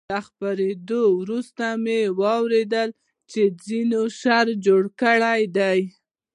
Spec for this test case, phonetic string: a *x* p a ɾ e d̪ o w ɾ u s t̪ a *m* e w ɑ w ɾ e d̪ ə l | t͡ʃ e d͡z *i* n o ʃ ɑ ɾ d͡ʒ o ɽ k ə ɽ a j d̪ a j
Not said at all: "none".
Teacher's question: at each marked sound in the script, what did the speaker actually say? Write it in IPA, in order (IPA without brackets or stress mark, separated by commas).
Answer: x, m, i